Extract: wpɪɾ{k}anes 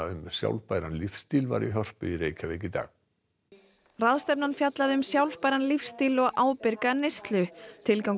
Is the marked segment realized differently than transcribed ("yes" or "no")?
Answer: no